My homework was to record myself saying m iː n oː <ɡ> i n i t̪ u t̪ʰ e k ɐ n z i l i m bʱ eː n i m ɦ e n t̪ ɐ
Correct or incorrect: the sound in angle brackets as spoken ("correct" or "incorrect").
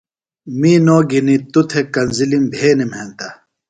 correct